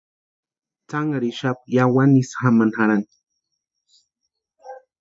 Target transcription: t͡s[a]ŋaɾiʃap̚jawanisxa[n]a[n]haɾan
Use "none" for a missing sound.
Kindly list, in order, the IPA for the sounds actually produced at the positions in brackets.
a, m, n

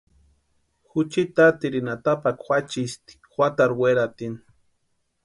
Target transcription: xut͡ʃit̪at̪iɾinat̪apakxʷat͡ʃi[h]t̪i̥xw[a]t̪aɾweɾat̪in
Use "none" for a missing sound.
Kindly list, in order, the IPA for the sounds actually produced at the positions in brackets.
s, a

